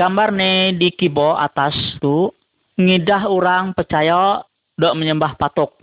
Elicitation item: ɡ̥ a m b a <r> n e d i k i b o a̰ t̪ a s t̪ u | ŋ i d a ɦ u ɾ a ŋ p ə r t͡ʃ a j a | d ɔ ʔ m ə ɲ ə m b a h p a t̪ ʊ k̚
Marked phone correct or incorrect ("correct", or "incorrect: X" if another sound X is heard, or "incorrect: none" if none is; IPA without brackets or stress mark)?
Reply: correct